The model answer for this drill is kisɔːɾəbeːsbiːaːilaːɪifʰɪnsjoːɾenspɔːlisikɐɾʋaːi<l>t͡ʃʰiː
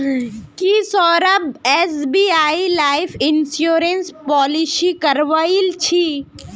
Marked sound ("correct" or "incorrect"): correct